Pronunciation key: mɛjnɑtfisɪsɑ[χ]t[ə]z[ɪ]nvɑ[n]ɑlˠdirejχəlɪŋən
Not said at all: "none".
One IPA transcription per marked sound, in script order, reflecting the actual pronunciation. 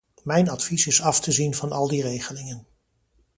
f, ə, i, n

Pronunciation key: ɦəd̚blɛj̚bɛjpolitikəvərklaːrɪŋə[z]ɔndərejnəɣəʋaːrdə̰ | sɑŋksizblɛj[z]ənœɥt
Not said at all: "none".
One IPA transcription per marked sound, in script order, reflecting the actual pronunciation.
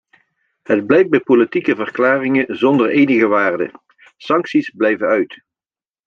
z, v

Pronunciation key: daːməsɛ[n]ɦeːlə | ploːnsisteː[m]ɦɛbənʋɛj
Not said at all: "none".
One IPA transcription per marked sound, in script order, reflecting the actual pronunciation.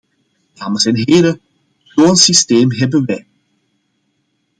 n, m

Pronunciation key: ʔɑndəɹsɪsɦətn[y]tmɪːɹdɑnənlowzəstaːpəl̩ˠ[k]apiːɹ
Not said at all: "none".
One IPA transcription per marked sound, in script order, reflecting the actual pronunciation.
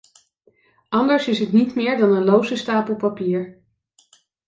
i, p

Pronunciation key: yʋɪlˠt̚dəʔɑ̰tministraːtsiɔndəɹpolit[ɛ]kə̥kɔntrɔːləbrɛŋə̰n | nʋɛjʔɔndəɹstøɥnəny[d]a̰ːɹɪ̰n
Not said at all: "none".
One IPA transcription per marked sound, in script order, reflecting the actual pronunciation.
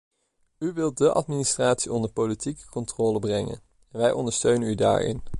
i, d

